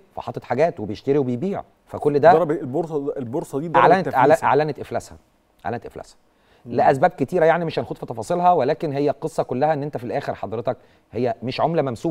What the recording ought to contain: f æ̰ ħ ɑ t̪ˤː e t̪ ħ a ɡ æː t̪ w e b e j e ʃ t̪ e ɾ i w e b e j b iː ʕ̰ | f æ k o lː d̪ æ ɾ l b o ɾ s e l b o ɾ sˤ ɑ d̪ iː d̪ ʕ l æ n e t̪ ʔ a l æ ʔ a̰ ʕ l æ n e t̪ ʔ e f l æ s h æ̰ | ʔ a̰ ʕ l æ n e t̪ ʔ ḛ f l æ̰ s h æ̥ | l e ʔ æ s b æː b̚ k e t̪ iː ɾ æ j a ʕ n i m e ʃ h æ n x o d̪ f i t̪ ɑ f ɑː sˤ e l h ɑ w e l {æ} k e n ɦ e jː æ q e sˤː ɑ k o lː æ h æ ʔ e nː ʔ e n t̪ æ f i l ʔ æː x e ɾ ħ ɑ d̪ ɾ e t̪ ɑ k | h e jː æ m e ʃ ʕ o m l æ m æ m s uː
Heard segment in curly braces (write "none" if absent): æː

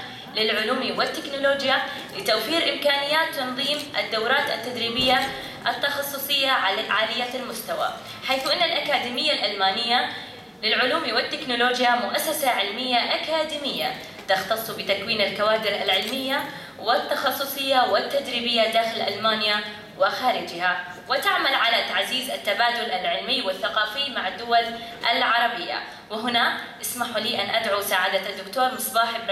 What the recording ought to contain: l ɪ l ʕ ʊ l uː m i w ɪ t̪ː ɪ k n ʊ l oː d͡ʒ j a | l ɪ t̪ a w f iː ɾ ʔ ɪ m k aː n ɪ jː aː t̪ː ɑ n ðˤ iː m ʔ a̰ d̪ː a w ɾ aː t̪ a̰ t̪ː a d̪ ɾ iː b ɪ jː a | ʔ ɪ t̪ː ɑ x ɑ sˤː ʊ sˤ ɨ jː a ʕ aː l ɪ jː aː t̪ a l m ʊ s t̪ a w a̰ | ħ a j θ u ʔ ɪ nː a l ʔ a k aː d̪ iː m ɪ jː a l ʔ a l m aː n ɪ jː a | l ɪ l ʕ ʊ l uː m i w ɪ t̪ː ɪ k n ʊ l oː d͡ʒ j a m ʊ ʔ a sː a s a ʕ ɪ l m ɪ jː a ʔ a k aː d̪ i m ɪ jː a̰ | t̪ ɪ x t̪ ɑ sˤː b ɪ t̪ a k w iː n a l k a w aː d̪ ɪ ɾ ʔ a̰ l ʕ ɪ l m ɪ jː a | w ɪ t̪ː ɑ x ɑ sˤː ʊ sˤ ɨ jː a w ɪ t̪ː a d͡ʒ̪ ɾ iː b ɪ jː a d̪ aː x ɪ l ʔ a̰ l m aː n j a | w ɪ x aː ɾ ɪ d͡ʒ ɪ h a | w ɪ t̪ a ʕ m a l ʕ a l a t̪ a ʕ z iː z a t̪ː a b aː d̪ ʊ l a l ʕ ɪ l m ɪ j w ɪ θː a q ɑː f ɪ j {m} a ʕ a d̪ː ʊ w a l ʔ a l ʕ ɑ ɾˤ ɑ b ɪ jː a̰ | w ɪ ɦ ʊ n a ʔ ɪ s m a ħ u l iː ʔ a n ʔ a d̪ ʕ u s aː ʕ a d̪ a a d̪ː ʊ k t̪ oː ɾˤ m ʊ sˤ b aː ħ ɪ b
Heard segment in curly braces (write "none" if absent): m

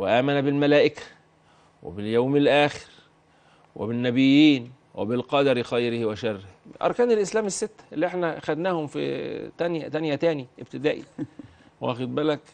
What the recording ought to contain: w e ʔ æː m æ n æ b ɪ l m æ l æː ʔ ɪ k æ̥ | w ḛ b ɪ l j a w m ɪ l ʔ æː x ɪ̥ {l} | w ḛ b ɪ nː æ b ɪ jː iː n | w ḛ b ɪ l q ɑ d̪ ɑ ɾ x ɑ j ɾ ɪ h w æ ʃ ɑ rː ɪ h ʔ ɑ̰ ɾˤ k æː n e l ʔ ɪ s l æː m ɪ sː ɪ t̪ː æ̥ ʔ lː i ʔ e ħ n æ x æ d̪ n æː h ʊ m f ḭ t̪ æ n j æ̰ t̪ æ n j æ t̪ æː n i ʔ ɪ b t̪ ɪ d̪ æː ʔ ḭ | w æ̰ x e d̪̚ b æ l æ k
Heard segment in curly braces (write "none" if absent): ɾ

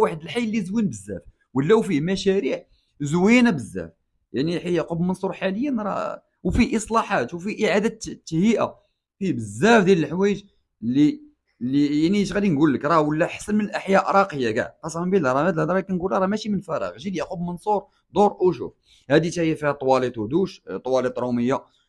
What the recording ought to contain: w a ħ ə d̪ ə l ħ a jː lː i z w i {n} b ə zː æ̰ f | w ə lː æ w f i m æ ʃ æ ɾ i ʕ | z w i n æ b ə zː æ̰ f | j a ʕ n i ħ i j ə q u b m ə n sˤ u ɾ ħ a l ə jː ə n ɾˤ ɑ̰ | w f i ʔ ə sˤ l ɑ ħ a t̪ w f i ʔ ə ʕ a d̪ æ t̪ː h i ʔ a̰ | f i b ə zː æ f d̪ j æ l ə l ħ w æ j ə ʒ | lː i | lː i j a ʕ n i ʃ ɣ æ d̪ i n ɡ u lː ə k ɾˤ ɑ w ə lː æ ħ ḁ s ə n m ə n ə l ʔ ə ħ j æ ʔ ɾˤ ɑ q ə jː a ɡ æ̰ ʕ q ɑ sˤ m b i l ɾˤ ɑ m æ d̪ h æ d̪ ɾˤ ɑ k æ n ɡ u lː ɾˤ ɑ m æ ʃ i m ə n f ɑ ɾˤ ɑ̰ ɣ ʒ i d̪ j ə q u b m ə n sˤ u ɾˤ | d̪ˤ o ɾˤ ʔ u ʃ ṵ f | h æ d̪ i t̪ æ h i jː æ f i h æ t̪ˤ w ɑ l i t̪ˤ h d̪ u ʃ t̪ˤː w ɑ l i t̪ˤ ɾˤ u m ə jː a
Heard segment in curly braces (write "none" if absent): n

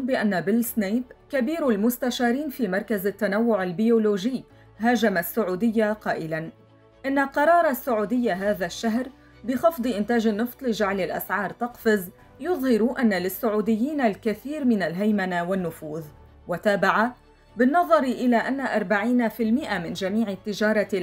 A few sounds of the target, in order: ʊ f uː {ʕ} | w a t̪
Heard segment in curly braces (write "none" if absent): ð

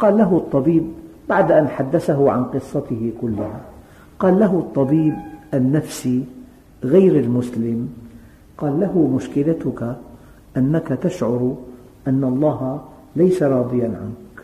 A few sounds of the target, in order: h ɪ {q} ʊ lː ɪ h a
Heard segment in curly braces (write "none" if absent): k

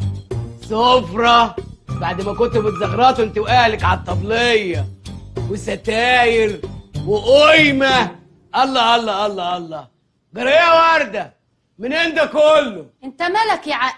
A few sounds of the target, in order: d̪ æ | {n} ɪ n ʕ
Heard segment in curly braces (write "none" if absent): m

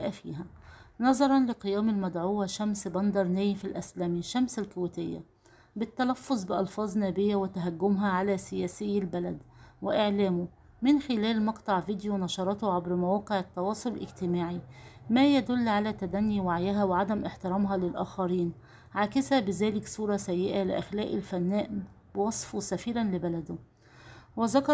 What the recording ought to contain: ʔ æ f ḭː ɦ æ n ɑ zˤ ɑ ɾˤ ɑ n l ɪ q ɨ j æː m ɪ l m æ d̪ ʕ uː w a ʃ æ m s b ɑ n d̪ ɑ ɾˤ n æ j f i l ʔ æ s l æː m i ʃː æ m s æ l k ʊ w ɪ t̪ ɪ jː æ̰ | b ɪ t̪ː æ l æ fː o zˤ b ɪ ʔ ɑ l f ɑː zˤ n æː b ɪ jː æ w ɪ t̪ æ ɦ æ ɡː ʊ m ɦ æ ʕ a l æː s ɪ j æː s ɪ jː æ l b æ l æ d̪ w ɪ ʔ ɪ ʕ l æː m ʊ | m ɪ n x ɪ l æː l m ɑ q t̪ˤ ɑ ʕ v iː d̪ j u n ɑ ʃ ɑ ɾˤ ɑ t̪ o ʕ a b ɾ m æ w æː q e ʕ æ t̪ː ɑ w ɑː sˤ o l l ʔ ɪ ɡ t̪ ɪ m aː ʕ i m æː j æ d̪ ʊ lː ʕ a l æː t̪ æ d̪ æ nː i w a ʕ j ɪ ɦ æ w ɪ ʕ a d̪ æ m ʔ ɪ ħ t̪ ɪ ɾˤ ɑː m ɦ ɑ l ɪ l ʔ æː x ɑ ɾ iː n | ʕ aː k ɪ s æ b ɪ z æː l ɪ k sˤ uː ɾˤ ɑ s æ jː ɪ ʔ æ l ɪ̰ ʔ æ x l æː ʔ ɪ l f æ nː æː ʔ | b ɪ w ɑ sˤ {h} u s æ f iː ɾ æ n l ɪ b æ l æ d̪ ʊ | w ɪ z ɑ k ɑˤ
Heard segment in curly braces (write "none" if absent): f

